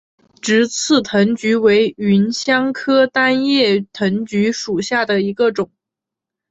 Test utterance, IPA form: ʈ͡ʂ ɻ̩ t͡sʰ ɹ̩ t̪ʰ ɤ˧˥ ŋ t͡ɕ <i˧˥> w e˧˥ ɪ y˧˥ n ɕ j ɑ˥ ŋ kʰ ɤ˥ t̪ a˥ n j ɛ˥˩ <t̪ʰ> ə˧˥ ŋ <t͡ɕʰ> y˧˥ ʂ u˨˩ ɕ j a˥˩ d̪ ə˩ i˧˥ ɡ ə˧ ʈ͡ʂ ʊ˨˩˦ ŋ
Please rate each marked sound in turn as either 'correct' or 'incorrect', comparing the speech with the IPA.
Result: incorrect: y˧˥, correct, incorrect: t͡ɕ

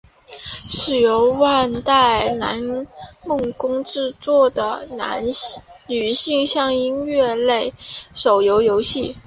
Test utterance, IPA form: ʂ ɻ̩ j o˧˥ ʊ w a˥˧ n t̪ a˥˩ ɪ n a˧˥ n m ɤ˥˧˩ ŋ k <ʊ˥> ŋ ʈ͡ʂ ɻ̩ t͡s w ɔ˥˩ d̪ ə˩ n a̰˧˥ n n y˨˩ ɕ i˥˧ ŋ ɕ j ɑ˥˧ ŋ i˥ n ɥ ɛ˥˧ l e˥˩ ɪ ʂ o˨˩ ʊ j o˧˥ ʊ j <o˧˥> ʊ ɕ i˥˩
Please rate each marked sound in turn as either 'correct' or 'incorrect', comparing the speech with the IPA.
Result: correct, correct

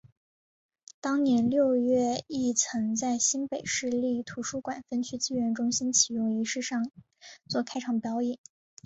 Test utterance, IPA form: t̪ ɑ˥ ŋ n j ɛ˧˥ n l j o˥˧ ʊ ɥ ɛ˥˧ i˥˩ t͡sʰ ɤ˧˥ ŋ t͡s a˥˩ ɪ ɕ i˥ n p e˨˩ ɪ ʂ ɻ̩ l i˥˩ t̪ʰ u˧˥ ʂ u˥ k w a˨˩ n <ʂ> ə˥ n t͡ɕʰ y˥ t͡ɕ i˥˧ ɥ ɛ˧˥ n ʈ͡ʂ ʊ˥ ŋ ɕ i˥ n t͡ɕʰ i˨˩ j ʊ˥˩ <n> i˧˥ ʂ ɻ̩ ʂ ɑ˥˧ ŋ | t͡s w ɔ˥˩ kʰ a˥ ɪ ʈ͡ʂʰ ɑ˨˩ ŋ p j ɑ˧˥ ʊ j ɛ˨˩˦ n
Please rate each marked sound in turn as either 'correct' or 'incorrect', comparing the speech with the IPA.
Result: incorrect: f, incorrect: ŋ

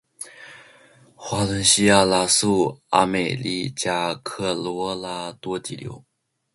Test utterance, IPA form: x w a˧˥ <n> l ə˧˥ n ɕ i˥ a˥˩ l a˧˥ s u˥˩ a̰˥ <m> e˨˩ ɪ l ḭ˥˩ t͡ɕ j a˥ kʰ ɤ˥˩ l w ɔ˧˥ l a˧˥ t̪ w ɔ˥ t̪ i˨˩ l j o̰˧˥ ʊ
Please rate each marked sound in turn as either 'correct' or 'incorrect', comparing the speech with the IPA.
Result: incorrect: none, correct

